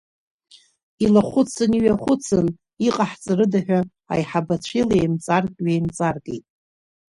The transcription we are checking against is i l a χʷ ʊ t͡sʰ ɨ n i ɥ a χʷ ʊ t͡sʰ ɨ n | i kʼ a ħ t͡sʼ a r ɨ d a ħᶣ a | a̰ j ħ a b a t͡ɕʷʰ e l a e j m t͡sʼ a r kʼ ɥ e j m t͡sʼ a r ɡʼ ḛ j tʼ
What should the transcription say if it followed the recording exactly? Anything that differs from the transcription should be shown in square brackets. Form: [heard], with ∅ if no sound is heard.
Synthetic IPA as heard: i l a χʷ ʊ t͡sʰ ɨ n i ɥ a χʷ ʊ t͡sʰ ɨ n | i [qʼ] a ħ t͡sʼ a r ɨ d a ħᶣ a | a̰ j ħ a b a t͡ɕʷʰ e l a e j m t͡sʼ a r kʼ ɥ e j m t͡sʼ a r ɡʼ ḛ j tʼ